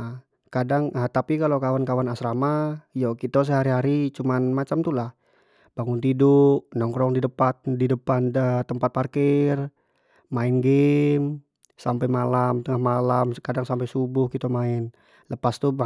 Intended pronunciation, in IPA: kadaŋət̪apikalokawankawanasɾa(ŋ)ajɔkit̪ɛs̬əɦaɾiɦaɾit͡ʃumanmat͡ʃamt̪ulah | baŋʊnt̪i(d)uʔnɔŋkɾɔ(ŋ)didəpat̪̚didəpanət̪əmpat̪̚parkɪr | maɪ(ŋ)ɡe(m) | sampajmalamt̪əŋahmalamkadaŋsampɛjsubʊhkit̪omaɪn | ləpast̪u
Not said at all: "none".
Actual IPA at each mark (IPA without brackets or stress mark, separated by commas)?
m, d, ŋ, n, m